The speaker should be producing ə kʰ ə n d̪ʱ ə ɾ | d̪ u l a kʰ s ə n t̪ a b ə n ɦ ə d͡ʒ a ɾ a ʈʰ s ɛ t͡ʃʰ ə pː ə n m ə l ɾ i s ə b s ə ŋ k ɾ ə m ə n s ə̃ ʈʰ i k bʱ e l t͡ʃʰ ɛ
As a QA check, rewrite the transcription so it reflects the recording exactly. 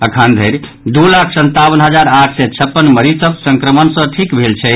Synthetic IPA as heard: ə kʰ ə n d̪ʱ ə ɾ | d̪ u l a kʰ s ə n t̪ a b ə n ɦ ə d͡ʒ a ɾ a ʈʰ s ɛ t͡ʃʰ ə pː ə n m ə ɾ i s ə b s ə ŋ k ɾ ə m ə n s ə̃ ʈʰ i k bʱ e l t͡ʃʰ ɛ